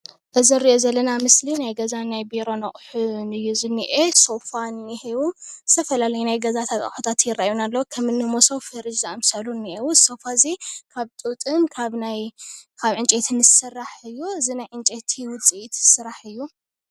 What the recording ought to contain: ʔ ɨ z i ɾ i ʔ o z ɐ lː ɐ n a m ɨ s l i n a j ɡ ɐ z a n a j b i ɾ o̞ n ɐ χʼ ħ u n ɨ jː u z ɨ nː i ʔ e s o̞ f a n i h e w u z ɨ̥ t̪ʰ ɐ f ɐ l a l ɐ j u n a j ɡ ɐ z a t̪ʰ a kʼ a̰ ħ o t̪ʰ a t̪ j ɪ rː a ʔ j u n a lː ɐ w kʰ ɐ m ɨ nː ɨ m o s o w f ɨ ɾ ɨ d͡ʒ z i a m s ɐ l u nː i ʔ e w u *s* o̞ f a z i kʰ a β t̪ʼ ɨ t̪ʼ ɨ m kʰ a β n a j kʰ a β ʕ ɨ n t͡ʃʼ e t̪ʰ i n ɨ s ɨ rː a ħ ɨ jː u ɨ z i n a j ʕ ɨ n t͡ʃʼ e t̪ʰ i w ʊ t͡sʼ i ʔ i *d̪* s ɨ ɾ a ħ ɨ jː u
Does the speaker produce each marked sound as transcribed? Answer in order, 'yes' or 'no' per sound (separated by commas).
yes, no